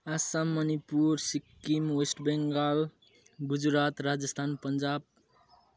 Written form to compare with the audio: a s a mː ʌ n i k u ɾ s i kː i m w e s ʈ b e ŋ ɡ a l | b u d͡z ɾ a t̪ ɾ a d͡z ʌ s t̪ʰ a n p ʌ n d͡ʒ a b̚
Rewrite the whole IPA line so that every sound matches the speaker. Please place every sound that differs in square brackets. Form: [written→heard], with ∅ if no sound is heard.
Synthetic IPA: a s a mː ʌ n i [k→p] u ɾ s i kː i m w e s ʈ b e ŋ ɡ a l | [b→ɡ] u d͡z ɾ a t̪ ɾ a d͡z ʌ s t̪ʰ a n p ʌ n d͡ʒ a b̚